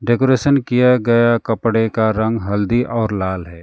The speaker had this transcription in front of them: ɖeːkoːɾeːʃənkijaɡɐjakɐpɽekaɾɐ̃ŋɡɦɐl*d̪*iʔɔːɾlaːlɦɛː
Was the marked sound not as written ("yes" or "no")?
no